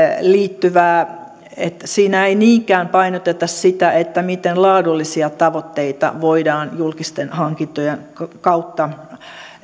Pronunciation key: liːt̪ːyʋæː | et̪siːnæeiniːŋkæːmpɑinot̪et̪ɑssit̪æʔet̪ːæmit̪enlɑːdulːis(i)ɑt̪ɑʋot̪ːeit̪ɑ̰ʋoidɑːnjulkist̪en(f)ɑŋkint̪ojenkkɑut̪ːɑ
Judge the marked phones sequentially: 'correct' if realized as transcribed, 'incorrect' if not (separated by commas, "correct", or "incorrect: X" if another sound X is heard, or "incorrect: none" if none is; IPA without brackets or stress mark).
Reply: correct, incorrect: h